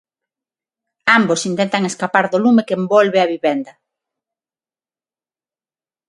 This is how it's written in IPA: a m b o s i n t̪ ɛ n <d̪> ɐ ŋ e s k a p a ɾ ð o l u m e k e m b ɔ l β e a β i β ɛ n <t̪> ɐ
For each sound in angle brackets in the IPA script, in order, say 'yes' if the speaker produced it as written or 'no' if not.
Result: no, no

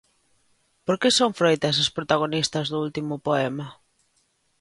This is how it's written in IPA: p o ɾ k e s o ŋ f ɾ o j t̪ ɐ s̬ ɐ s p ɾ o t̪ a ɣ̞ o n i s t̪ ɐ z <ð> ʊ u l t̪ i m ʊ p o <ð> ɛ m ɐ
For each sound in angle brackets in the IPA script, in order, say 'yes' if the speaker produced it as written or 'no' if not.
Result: yes, no

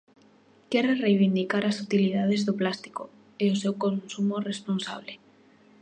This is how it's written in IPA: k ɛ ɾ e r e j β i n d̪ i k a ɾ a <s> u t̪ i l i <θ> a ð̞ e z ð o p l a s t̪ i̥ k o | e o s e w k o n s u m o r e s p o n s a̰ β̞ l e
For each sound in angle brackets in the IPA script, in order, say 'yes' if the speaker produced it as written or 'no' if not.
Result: yes, no

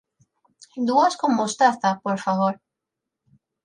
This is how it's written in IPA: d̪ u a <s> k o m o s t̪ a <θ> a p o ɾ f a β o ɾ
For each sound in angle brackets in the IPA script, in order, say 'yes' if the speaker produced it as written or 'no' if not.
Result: yes, yes

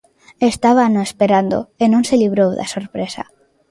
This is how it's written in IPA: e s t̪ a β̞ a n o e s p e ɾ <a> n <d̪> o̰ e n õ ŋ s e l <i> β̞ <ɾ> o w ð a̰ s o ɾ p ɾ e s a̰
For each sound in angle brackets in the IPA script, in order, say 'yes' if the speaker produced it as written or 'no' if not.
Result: yes, yes, yes, yes

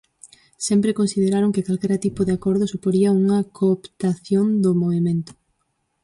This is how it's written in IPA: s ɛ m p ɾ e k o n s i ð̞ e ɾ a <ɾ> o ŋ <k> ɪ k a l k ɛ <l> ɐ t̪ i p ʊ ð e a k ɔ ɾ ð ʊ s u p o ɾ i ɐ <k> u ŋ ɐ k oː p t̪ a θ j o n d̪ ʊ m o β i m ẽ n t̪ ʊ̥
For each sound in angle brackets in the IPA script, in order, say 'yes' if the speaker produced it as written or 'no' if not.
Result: yes, yes, no, no

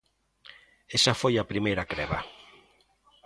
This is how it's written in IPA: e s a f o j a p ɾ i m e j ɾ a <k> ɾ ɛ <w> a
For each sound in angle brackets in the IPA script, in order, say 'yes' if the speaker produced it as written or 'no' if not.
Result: yes, no

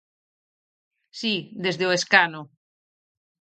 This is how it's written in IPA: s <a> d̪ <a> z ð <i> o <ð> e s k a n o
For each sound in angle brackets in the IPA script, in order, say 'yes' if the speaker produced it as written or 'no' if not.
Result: no, no, no, no

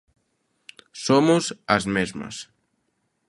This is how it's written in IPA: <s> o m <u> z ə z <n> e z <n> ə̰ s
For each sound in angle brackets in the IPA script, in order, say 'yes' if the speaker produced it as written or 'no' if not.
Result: yes, yes, no, no

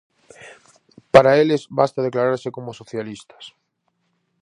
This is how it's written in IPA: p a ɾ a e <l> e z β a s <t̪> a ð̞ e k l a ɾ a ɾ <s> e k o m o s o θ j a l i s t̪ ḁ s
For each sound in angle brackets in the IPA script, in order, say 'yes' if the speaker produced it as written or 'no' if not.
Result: yes, yes, yes

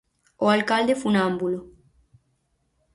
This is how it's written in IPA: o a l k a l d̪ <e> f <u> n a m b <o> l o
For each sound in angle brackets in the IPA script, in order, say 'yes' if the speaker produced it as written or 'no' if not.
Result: yes, yes, no

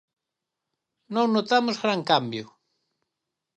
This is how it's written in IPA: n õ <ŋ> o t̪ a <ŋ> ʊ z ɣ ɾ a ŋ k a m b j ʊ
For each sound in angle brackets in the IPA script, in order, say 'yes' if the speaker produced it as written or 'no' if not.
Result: no, no

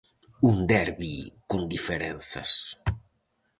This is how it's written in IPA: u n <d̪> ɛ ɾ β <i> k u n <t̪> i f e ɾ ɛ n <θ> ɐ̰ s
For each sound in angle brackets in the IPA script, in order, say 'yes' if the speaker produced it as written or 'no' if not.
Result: yes, yes, no, yes

